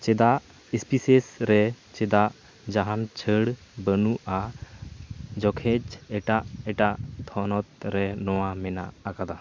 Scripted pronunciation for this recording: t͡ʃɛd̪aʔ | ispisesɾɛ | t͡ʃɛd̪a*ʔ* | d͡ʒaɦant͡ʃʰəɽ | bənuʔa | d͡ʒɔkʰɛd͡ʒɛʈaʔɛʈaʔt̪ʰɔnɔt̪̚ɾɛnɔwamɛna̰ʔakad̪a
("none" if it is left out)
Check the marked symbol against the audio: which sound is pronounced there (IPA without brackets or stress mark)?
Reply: ʔ